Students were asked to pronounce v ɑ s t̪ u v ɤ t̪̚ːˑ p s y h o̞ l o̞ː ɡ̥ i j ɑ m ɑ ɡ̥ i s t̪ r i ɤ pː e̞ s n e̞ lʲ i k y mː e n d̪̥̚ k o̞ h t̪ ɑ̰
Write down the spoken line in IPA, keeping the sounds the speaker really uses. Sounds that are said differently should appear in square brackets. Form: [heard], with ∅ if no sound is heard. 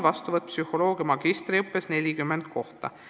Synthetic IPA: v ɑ s t̪ u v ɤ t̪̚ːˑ p s y h o̞ l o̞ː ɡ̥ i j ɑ m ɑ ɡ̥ i s t̪ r i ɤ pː e̞ s n e̞ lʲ i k y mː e n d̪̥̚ k o̞ h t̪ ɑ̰